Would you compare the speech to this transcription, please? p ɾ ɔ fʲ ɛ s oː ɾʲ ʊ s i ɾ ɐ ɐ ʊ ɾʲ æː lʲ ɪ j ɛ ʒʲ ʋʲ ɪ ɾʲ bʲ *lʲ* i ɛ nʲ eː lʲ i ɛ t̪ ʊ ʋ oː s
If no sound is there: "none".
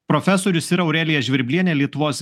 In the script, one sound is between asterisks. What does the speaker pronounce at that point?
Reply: lʲ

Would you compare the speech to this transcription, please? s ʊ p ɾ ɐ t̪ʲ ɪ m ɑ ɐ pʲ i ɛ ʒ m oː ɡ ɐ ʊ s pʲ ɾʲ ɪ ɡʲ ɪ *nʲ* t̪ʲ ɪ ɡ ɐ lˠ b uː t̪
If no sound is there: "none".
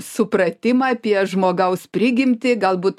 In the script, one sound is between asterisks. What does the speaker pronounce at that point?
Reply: mʲ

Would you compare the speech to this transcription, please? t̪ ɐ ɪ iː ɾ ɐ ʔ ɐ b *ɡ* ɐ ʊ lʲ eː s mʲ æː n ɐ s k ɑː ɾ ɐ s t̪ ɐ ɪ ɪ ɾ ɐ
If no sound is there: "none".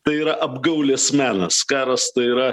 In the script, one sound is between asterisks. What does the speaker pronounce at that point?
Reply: ɡ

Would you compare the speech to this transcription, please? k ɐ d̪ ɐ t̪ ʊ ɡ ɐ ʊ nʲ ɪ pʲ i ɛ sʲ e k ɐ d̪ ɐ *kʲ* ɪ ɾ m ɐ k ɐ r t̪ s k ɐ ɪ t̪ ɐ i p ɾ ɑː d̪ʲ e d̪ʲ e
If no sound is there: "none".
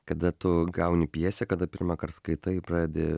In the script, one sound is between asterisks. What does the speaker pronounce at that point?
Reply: pʲ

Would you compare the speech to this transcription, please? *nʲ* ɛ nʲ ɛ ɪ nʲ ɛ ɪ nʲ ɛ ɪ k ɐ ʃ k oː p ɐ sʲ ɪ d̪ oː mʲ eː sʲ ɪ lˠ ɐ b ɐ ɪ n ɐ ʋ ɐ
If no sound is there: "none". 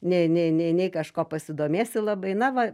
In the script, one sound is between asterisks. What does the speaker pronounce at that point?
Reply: nʲ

